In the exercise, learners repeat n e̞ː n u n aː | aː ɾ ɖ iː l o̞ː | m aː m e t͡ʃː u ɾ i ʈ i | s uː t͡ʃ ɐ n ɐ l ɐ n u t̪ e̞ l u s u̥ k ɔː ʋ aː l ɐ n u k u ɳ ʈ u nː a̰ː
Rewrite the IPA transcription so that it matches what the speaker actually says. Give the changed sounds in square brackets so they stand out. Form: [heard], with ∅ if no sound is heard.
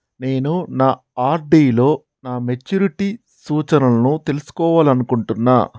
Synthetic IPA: n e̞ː n u n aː | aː ɾ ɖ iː l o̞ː | [n] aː m e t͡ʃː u ɾ i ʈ i | s uː t͡ʃ ɐ n ɐ l ɐ n u t̪ e̞ l u s u̥ k ɔː ʋ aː l ɐ n u k u ɳ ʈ u nː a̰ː